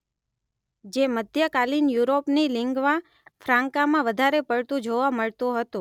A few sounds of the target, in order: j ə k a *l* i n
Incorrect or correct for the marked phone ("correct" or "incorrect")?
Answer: correct